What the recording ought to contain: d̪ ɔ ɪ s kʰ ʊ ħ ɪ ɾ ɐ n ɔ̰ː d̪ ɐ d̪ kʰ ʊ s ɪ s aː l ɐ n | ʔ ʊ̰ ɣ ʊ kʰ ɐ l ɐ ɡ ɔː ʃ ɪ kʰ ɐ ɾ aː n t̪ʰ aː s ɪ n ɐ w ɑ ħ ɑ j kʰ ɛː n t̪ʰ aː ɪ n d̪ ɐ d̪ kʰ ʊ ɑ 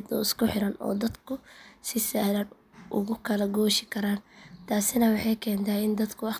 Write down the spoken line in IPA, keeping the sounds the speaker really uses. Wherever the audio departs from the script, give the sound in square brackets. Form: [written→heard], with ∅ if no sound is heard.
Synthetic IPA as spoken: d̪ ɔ ɪ s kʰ ʊ ħ ɪ ɾ ɐ n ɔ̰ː d̪ ɐ d̪ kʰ ʊ s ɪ s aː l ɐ n | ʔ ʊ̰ ɣ ʊ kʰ ɐ l ɐ ɡ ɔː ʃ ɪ kʰ ɐ ɾ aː n t̪ʰ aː s ɪ n ɐ w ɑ ħ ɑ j kʰ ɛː n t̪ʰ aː ɪ n d̪ ɐ d̪ kʰ ʊ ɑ

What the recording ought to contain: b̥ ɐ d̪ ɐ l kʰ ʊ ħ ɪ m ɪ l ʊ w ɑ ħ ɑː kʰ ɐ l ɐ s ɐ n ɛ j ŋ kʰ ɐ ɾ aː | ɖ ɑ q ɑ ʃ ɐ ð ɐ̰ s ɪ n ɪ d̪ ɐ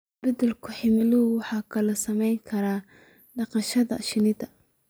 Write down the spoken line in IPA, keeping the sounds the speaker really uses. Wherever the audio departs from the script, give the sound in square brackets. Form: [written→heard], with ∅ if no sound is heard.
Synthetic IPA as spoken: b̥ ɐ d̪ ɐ l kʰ ʊ ħ ɪ m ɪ l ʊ w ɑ ħ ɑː kʰ ɐ l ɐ s ɐ [n→m] ɛ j ŋ kʰ ɐ ɾ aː | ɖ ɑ q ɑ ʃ ɐ ð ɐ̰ [s→ʃ] ɪ n ɪ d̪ ɐ

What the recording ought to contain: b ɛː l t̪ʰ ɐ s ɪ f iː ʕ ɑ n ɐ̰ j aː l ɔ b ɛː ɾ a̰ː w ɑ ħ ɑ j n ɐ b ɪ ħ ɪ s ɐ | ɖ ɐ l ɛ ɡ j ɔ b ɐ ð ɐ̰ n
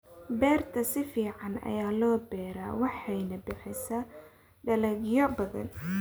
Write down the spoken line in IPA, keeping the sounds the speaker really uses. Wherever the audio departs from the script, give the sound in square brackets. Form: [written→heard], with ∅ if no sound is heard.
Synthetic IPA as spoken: b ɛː [l→r] t̪ʰ ɐ s ɪ f iː ʕ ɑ n ɐ̰ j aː l [ɔ→ɔː] b ɛː ɾ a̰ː w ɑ ħ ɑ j n ɐ b ɪ ħ ɪ s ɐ | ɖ ɐ l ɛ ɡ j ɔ b ɐ ð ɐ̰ n

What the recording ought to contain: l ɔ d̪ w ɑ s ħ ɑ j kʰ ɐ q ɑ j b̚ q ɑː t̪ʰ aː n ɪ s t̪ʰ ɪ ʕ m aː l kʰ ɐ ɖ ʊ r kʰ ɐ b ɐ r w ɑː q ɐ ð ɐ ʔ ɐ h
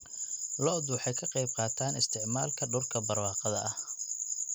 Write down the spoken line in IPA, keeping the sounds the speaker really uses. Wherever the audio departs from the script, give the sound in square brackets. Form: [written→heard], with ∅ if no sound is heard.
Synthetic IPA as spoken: l ɔ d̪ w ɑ [s→∅] ħ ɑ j kʰ ɐ q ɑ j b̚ q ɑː t̪ʰ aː n ɪ s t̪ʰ ɪ ʕ m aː l kʰ ɐ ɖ ʊ r kʰ ɐ b ɐ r w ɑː q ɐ ð ɐ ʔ ɐ h

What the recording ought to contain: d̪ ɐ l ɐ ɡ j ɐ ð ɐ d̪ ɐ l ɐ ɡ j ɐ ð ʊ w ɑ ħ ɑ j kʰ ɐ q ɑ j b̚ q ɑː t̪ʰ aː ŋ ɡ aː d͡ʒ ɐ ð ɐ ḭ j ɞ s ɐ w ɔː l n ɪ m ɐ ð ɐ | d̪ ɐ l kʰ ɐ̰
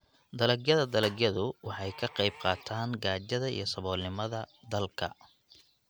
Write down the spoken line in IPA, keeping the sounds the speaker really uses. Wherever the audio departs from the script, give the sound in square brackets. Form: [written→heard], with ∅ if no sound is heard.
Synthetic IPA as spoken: d̪ ɐ l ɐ ɡ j ɐ ð ɐ d̪ ɐ l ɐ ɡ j ɐ ð ʊ w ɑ ħ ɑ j kʰ ɐ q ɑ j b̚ q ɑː t̪ʰ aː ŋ ɡ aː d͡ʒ ɐ ð ɐ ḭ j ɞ s ɐ [w→β] ɔː l n ɪ m ɐ ð ɐ | d̪ ɐ l kʰ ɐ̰

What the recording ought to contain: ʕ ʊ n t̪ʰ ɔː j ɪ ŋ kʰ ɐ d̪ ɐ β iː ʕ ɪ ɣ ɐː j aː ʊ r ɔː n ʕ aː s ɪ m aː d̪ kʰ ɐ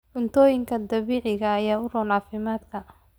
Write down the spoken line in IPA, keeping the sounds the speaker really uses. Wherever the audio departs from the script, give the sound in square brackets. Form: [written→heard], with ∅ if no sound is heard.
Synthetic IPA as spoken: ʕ ʊ n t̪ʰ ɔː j ɪ ŋ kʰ ɐ d̪ ɐ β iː ʕ ɪ ɣ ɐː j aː ʊ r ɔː n ʕ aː [s→f] ɪ m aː d̪ kʰ ɐ

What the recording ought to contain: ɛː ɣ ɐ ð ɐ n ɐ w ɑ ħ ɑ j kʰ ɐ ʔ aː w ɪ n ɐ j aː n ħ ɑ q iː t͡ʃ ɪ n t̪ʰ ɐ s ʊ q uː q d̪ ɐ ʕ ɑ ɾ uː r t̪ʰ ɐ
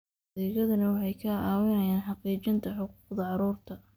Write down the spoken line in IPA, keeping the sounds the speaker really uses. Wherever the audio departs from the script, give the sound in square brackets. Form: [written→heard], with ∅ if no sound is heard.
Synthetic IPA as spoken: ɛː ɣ ɐ ð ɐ n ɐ w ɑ ħ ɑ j kʰ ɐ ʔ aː w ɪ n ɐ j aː n ħ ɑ q iː t͡ʃ ɪ n t̪ʰ ɐ [s→ħ] ʊ q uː q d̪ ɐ ʕ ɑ ɾ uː r t̪ʰ ɐ

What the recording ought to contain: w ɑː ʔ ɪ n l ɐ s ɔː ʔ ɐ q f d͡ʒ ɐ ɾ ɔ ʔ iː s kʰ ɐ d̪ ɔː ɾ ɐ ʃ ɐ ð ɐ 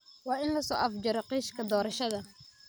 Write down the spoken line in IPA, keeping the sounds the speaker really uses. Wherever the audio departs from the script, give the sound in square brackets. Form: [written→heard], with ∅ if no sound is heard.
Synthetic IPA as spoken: w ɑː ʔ ɪ n l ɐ s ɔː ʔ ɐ [q→∅] f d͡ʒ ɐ ɾ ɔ [ʔ→q] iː [s→ʃ] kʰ ɐ d̪ ɔː ɾ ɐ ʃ ɐ ð ɐ

